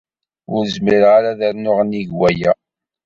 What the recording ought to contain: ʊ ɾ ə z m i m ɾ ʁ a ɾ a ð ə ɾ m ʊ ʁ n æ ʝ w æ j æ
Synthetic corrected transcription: ʊ ɾ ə z m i ɾ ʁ a ɾ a ð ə ɾ n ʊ ʁ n i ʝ w æ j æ